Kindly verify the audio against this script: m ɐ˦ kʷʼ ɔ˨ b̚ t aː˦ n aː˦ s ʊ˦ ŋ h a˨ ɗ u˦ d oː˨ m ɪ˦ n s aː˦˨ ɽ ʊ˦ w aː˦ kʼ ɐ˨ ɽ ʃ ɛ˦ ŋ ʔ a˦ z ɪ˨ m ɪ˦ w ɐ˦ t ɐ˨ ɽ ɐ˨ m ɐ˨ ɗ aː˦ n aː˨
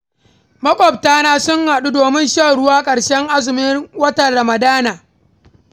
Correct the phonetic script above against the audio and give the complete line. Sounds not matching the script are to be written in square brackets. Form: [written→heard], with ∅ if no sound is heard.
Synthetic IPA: m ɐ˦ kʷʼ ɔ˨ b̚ t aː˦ n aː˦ s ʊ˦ ŋ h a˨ ɗ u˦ d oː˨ m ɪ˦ n [s→ʃ] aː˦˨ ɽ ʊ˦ w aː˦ kʼ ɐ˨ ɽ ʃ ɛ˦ ŋ ʔ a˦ z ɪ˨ m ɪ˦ w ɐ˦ t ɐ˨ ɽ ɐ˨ m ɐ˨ [ɗ→d] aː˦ n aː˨